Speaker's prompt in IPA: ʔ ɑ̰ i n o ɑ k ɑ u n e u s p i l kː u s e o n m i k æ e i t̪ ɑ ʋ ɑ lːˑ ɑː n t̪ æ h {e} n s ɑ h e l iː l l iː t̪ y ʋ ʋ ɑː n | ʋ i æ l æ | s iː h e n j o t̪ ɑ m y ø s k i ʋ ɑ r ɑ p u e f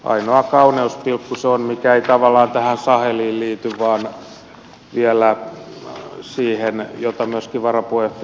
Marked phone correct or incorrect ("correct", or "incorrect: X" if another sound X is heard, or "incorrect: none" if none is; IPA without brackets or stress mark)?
incorrect: æ